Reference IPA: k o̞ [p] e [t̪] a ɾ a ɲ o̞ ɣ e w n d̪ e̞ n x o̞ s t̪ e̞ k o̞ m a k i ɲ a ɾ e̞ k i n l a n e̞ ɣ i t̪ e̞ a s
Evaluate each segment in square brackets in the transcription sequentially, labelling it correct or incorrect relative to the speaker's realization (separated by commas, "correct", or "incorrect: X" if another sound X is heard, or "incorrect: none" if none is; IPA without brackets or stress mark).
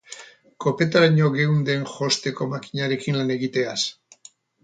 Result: correct, correct